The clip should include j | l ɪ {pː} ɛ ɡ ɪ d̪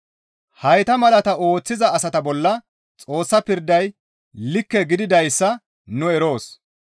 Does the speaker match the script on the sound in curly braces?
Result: no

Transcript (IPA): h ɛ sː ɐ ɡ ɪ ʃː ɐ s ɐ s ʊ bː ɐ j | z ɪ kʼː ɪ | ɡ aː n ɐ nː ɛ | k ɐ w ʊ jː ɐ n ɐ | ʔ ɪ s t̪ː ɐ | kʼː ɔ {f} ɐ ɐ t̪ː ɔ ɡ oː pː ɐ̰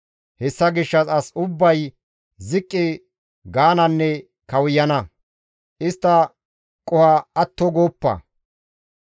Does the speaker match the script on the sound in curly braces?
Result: no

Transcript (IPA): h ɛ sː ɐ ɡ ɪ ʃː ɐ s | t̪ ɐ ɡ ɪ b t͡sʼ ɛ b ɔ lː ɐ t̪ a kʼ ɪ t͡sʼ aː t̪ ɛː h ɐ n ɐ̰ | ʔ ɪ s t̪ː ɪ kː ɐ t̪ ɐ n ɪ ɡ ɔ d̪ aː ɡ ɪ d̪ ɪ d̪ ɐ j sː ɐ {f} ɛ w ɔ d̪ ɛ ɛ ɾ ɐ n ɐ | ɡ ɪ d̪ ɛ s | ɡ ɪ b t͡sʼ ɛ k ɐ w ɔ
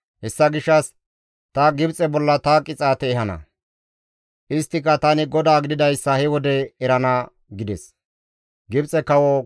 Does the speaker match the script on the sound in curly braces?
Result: no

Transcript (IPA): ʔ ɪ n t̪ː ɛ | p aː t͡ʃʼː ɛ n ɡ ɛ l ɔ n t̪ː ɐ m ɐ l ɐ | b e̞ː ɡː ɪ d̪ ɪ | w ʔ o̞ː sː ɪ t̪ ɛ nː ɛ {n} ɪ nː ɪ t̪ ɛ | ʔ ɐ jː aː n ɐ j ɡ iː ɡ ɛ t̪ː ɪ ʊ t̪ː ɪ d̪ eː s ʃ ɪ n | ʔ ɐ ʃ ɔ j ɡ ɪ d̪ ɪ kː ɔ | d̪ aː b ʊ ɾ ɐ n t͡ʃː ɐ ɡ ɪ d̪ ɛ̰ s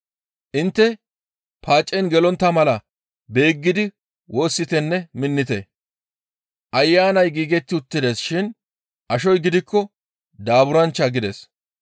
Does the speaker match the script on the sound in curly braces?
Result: no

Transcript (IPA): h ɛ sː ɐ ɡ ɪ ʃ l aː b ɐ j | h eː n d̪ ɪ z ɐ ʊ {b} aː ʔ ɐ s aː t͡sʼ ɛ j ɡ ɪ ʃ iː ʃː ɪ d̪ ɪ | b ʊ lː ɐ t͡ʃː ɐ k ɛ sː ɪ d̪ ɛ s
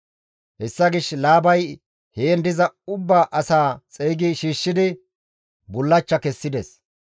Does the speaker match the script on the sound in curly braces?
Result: no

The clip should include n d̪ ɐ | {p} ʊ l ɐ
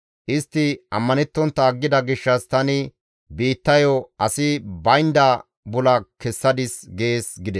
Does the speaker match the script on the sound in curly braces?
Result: no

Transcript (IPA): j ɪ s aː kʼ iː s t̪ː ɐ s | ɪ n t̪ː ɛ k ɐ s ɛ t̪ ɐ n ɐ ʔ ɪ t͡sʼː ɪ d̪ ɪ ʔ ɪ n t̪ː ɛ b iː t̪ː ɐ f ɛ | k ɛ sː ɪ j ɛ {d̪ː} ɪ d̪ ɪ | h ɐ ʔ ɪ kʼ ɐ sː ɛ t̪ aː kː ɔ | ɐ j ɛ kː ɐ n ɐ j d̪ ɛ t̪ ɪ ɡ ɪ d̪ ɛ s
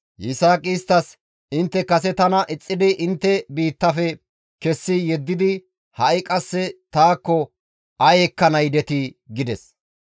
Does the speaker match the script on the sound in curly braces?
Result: yes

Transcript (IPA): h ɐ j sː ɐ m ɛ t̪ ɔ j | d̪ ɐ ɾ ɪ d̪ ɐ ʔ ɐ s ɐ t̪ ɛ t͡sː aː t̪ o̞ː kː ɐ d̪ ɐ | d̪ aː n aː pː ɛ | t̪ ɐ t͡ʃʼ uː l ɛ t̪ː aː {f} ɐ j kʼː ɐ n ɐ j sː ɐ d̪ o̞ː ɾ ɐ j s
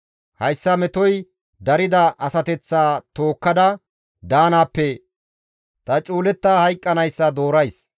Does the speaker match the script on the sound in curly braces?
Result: no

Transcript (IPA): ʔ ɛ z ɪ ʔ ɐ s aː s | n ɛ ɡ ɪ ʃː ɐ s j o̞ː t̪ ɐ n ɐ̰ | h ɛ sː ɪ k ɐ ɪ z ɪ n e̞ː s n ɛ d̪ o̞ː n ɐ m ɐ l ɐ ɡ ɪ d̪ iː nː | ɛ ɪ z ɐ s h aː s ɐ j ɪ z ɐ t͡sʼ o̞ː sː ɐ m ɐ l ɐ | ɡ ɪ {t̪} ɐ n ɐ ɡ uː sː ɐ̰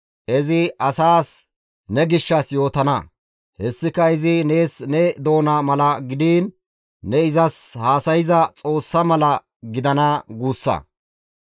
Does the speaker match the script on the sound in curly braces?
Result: no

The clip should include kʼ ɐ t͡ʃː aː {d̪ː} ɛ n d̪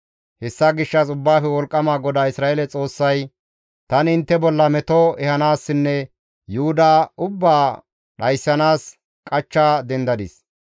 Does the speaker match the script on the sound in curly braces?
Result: no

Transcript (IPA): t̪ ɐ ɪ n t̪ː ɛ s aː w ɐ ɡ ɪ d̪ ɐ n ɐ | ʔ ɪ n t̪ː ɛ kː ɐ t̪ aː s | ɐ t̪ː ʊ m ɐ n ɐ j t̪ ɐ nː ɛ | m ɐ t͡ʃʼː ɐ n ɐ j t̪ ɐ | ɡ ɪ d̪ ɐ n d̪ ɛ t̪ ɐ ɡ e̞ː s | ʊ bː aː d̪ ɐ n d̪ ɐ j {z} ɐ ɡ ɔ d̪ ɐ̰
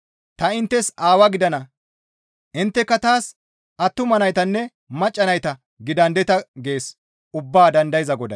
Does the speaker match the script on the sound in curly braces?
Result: yes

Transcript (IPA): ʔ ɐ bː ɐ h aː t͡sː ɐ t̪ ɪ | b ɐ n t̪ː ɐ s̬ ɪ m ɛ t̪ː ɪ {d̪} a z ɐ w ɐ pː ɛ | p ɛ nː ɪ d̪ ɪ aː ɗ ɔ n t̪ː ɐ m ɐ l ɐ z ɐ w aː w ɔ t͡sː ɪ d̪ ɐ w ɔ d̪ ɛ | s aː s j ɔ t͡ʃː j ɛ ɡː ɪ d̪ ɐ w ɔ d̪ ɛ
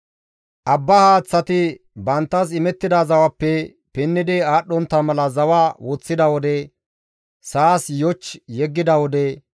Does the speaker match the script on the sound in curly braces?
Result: yes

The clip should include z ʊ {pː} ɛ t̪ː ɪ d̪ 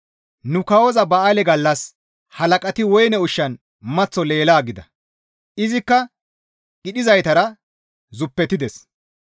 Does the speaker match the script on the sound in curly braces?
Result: yes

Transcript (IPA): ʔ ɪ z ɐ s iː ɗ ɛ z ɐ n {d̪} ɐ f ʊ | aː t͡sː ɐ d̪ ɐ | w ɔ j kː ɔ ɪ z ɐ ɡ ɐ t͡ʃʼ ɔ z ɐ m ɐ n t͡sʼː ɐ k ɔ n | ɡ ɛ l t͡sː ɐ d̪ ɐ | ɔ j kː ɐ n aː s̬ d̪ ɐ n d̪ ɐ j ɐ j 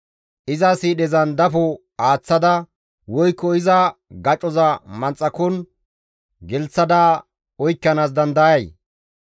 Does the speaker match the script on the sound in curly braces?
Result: yes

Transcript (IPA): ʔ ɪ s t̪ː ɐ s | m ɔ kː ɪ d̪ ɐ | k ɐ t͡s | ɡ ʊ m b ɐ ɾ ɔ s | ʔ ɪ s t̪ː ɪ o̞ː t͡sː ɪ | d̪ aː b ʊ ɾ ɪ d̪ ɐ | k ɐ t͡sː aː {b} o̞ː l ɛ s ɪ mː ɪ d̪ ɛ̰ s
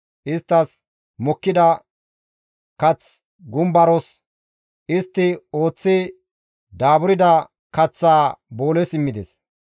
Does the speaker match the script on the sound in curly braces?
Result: yes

